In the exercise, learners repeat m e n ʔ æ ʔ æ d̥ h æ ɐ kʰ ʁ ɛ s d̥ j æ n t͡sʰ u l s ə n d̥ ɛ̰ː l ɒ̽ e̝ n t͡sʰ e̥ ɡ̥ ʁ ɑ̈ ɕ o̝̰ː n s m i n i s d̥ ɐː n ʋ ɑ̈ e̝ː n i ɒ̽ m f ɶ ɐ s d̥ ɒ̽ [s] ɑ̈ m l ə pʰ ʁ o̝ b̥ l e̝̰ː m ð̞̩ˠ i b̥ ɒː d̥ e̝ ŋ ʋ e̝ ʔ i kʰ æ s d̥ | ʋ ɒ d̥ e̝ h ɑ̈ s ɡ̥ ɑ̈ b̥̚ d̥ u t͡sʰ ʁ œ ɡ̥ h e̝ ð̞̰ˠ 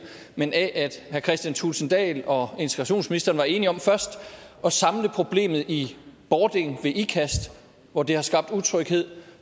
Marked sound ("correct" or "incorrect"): correct